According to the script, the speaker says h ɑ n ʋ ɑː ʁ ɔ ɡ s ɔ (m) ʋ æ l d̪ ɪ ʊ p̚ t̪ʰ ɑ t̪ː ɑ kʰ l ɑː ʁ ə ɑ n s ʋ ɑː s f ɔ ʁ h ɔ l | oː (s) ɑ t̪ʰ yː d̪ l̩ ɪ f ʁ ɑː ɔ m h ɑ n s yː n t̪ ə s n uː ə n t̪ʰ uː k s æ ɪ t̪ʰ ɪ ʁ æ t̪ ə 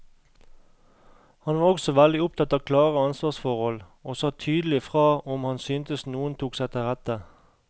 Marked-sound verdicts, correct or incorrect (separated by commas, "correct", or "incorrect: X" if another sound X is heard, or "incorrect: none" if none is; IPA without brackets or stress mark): incorrect: none, correct